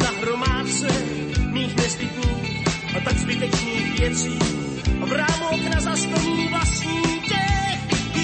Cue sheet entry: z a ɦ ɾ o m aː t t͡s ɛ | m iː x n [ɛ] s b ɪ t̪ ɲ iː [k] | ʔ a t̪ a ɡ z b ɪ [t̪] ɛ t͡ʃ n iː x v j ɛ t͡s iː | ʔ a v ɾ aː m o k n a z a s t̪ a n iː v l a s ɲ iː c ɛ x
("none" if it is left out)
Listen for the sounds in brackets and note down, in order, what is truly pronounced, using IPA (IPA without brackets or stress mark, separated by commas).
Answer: ɛ, x, t̪